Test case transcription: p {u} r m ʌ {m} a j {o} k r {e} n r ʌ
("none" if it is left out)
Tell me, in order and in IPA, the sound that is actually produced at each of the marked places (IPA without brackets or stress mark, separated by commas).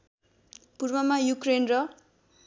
u, m, u, e